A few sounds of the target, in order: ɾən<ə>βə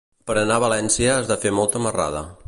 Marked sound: incorrect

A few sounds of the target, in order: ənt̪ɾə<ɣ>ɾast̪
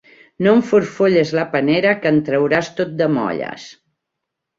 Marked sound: incorrect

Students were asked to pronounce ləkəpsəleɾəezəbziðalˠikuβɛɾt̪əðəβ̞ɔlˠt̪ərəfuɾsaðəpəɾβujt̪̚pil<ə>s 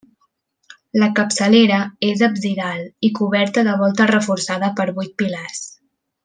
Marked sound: incorrect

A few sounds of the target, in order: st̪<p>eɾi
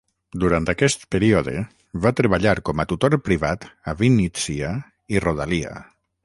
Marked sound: correct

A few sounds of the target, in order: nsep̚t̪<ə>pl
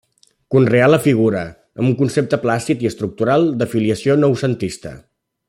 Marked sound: correct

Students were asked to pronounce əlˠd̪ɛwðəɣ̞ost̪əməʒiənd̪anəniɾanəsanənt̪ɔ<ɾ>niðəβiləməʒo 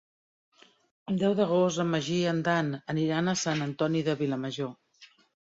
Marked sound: incorrect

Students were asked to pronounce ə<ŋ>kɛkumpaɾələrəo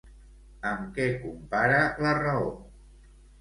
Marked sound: incorrect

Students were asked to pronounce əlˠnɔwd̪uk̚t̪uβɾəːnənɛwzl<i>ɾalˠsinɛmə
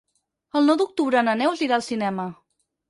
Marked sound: correct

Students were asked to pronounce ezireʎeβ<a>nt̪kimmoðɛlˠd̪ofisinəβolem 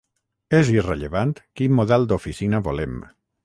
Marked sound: correct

